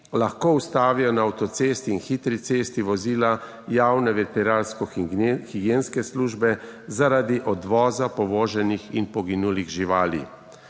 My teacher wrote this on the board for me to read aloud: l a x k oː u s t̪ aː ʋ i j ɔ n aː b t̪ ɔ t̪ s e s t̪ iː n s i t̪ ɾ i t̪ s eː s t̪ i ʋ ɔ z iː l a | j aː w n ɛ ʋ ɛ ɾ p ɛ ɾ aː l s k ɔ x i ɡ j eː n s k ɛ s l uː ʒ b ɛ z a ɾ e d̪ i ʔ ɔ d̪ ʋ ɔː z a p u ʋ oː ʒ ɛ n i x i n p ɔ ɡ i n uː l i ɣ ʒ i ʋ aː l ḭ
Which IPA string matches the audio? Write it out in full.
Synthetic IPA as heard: l a x k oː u s t̪ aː ʋ i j ɔ n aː w t̪ ɔ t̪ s e s t̪ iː n x i t̪ ɾ i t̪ s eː s t̪ i ʋ ɔ z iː l a | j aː w n ɛ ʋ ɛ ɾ p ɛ ɾ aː l s k ɔ x i ɡ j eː n s k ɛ s l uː ʒ b ɛ z a ɾ a d̪ i ʔ ɔ d̪ ʋ ɔː z a p ɔ ʋ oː ʒ ɛ n i x i n p ɔ ɡ i n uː l i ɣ ʒ i ʋ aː l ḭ